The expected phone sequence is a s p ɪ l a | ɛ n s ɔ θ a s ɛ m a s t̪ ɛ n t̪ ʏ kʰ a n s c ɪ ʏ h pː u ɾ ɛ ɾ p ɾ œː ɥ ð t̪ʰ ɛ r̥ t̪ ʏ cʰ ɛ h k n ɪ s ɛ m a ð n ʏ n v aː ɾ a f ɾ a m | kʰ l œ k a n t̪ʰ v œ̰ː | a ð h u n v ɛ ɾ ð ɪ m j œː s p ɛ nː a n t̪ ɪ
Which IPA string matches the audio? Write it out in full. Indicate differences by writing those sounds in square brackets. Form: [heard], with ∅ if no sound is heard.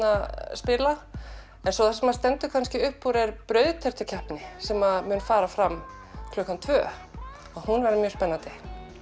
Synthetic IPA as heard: a s p ɪ l a | ɛ n s ɔ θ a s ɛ m a s t̪ ɛ n t̪ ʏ kʰ a n s c ɪ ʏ h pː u ɾ ɛ ɾ p ɾ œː ɥ ð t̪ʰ ɛ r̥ t̪ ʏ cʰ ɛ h [p] n ɪ s ɛ m a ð [m] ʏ n [f] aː ɾ a f ɾ a m | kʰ l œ k a n t̪ʰ v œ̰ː | a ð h u n v ɛ ɾ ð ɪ m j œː s p ɛ nː a n t̪ ɪ